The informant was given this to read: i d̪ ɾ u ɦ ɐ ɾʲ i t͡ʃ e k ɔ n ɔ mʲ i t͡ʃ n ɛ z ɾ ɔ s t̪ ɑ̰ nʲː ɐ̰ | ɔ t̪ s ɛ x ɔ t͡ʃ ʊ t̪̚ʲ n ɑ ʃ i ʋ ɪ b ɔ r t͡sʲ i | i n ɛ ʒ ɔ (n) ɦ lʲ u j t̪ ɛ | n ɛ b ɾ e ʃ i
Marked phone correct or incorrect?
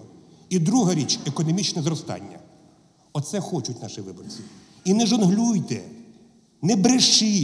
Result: correct